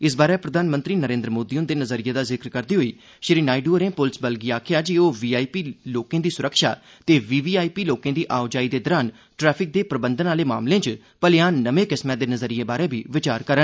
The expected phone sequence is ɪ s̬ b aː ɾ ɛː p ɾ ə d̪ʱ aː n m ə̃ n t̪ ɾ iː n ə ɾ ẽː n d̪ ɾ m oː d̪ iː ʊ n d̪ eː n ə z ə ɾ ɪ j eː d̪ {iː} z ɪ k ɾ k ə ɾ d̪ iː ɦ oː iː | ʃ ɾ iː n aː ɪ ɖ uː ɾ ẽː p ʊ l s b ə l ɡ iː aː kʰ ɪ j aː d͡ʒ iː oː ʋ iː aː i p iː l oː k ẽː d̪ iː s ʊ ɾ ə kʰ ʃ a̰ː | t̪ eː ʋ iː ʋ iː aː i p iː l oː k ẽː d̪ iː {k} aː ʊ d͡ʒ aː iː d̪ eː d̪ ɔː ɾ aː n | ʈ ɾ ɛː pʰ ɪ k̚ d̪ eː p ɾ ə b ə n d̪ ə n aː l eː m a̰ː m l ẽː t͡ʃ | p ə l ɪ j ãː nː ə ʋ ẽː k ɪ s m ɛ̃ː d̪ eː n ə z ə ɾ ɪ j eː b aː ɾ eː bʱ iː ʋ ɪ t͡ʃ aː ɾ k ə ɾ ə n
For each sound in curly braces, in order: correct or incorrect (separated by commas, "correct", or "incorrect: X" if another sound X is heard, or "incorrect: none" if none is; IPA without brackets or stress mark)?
incorrect: aː, incorrect: ʔ